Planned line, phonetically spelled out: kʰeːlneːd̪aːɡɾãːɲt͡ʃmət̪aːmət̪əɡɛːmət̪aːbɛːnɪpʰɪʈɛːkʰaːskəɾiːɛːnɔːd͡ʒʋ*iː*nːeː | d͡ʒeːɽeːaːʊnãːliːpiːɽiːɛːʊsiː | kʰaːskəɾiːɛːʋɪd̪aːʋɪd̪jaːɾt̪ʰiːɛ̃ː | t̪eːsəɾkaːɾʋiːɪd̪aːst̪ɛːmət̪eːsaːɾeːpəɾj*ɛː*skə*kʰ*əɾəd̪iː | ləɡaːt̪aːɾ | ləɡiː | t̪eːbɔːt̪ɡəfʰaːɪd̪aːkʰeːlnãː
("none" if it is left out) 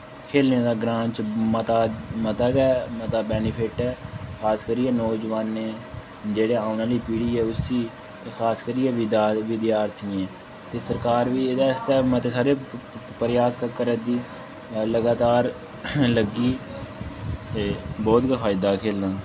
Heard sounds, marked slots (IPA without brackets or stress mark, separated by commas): aː, aː, k